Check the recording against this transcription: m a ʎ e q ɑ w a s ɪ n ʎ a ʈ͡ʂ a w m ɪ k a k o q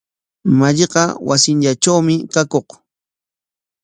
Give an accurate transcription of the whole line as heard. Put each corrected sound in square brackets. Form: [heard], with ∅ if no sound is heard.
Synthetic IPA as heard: m a ʎ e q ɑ w a s ɪ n ʎ a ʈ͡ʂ a w m ɪ k a k o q